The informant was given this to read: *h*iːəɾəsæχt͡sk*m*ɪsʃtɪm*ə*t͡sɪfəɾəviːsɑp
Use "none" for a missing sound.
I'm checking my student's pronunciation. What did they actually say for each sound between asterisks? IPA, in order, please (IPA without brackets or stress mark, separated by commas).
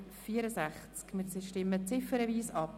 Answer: f, m, ə